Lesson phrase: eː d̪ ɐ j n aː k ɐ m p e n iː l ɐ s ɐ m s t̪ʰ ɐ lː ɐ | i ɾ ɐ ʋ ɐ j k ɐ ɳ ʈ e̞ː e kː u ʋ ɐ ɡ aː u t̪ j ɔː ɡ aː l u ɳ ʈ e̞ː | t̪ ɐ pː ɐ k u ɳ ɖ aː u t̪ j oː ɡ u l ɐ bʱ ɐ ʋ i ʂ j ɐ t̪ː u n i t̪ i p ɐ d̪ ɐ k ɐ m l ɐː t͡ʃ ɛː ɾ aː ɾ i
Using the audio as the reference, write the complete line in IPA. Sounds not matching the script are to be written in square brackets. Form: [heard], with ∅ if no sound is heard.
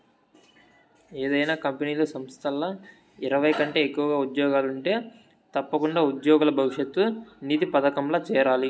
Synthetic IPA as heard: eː d̪ ɐ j n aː k ɐ m p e n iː l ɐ s ɐ m s t̪ʰ ɐ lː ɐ | i ɾ ɐ ʋ ɐ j k ɐ ɳ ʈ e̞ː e kː u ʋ ɐ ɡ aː u [d̪] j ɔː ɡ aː l u ɳ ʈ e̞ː | t̪ ɐ pː ɐ k u ɳ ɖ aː u [d̪] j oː ɡ u l ɐ bʱ ɐ ʋ i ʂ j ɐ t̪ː u n i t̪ i p ɐ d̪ ɐ k ɐ m l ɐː t͡ʃ ɛː ɾ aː [l] i